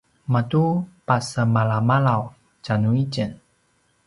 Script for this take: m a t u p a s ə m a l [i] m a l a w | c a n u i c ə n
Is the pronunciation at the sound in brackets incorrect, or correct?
incorrect